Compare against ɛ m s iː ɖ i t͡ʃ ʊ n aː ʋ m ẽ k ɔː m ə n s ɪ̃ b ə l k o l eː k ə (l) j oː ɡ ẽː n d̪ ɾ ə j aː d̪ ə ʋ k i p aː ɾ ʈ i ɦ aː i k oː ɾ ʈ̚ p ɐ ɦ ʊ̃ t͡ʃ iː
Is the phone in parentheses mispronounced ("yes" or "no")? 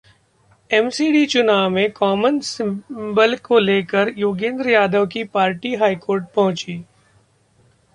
yes